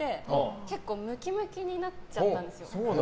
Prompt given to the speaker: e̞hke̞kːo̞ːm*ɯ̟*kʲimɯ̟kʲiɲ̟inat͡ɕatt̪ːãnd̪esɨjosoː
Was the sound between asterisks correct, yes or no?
yes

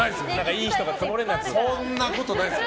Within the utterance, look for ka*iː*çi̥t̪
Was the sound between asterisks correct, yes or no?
yes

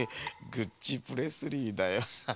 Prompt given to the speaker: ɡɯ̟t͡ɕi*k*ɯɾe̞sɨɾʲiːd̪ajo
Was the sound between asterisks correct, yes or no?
no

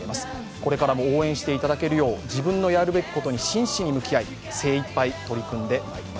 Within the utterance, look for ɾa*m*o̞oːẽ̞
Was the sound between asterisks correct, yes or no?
yes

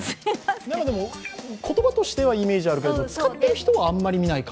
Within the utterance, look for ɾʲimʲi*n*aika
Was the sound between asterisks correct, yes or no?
yes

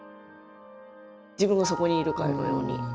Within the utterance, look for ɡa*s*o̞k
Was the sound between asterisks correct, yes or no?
yes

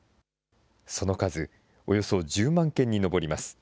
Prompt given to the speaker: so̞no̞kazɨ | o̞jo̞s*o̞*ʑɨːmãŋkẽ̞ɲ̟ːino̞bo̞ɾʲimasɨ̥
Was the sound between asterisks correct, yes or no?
yes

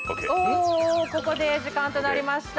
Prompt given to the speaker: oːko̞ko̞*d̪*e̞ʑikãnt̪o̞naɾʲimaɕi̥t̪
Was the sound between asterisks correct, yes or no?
yes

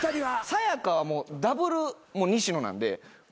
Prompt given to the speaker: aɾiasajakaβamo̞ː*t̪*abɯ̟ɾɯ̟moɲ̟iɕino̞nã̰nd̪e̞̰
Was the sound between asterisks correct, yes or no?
no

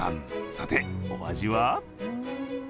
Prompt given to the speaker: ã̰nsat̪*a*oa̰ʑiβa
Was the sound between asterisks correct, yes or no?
no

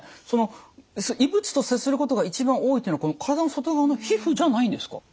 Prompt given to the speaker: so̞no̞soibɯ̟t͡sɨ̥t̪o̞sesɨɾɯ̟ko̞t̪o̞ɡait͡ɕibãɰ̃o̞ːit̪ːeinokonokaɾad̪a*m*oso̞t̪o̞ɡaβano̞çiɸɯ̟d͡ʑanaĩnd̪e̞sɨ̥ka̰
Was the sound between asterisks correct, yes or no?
no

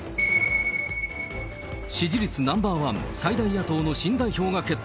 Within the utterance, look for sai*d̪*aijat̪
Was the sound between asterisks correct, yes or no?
yes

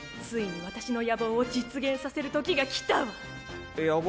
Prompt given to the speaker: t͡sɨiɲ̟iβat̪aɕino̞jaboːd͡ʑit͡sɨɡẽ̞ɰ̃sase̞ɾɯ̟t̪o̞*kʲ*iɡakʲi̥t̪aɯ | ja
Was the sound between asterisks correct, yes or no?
yes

